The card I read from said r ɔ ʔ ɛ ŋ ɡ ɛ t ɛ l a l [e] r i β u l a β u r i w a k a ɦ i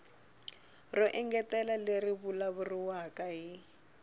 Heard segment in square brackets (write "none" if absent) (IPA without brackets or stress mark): e